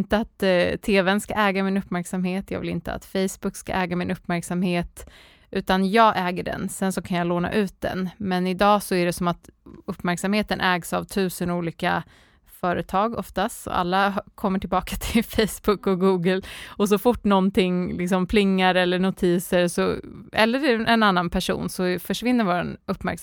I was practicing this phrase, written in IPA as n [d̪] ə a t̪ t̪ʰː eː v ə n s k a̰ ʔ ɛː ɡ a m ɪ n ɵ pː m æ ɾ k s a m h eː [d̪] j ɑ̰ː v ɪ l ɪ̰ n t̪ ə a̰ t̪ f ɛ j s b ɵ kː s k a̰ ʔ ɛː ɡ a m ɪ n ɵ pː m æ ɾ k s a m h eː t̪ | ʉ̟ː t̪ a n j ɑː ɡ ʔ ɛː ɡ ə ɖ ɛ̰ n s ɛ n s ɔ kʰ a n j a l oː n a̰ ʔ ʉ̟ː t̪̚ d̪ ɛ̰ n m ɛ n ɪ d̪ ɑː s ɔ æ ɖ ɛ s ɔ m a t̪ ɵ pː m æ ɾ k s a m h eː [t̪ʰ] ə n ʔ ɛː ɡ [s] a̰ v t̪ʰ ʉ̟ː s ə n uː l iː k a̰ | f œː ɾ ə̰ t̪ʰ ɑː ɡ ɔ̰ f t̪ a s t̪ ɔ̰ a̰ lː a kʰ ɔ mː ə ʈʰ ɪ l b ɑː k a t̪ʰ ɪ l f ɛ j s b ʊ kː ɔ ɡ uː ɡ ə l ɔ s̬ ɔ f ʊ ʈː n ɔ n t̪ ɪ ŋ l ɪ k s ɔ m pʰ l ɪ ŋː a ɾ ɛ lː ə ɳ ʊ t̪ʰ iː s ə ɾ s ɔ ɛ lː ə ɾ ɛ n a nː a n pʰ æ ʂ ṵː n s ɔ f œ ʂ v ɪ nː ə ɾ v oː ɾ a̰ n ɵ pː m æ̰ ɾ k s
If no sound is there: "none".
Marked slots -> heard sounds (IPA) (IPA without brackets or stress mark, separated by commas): t̪, t̪, t̪, s